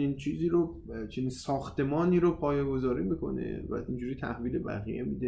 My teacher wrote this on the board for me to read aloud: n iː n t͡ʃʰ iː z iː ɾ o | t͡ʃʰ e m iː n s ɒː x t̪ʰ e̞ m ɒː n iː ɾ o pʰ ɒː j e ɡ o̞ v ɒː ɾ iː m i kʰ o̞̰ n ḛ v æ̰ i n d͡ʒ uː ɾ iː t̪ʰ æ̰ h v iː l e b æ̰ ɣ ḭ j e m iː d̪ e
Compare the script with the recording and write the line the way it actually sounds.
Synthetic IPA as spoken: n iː n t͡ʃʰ iː z iː ɾ o | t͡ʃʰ e n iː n s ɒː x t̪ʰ e̞ m ɒː n iː ɾ o pʰ ɒː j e ɡ o̞ z ɒː ɾ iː m i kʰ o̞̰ n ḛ v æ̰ i n d͡ʒ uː ɾ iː t̪ʰ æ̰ h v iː l e b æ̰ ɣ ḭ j e m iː d̪ e